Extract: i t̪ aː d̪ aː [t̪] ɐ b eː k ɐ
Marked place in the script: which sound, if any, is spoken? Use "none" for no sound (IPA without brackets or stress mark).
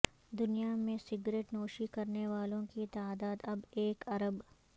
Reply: d̪